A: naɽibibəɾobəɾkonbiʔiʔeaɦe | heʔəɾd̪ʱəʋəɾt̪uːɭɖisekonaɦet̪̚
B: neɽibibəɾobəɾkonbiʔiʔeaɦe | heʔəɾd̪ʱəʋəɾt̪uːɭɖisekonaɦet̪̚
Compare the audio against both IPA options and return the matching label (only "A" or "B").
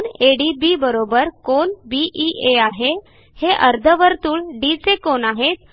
B